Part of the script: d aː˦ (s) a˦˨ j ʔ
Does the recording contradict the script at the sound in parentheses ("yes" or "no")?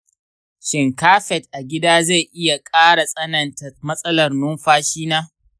yes